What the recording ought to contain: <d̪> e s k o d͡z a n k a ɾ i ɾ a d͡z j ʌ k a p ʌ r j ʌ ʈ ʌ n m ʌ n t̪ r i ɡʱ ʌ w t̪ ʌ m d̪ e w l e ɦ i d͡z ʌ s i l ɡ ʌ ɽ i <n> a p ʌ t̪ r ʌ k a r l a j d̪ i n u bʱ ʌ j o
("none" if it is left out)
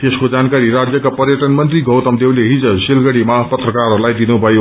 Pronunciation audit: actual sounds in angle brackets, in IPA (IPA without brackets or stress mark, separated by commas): t̪, m